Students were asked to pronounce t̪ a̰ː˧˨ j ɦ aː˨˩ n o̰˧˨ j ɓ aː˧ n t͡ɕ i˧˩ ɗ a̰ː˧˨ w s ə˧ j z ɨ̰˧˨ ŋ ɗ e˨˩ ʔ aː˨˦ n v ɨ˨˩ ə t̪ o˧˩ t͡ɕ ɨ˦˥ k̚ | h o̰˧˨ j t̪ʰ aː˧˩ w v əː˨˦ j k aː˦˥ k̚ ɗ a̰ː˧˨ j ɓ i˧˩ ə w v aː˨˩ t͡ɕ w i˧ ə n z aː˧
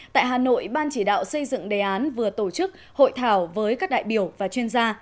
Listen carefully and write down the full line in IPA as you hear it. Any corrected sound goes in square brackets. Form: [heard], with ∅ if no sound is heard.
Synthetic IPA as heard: t̪ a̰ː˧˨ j ɦ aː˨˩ n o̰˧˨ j ɓ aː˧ n t͡ɕ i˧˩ ɗ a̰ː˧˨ w s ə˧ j z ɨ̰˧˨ ŋ ɗ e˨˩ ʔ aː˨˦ n v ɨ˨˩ ə t̪ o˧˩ t͡ɕ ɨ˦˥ k̚ | h o̰˧˨ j t̪ʰ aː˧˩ w v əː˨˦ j k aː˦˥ k̚ ɗ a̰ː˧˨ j ɓ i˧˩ ə w v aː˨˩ t͡ɕ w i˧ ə n z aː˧